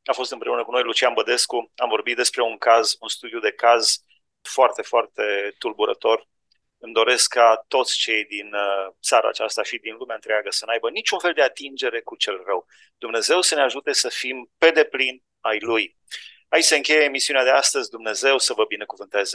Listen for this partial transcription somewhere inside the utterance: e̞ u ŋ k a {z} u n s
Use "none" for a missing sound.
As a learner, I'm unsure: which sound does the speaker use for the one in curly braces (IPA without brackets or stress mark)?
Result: z